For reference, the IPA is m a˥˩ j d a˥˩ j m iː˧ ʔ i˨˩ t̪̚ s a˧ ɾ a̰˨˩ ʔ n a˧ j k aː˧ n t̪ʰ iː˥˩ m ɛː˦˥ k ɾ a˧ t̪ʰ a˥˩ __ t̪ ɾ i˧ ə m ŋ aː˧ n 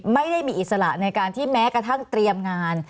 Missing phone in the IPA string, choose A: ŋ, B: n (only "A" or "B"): A